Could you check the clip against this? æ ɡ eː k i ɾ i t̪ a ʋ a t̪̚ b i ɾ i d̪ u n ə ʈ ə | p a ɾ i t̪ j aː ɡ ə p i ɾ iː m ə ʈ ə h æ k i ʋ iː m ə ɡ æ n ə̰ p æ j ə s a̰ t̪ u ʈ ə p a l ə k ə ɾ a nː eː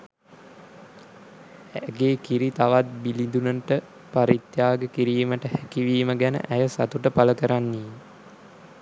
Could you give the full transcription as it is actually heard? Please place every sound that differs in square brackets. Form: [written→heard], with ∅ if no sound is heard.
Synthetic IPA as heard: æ ɡ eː k i ɾ i t̪ a ʋ a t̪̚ b i [ɾ→l] i d̪ u n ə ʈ ə | p a ɾ i t̪ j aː ɡ ə [p→k] i ɾ iː m ə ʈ ə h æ k i ʋ iː m ə ɡ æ n ə̰ [p→ʔ] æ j ə s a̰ t̪ u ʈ ə p a l ə k ə ɾ a nː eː